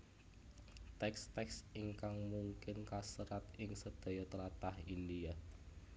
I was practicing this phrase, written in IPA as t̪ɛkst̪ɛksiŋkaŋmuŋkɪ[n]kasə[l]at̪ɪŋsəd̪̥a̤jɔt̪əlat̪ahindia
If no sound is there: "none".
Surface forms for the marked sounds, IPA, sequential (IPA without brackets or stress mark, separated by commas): n, ɾ